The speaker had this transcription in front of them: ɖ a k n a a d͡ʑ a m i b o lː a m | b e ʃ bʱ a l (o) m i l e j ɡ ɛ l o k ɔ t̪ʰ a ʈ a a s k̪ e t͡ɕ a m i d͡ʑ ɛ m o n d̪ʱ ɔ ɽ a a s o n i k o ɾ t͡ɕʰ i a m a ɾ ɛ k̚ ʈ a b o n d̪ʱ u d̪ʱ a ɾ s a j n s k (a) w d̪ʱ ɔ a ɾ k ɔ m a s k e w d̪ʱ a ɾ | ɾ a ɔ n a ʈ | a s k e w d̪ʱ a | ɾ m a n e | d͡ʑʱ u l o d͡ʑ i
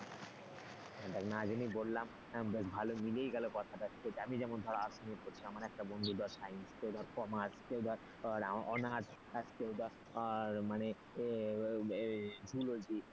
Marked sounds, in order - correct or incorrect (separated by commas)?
correct, incorrect